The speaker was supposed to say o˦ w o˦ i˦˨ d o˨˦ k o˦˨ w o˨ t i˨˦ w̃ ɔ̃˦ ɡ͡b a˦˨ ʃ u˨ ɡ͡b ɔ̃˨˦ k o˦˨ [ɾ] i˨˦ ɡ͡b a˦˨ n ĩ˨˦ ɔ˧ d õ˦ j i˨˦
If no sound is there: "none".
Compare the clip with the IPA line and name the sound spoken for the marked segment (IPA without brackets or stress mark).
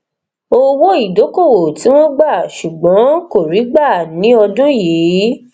ɾ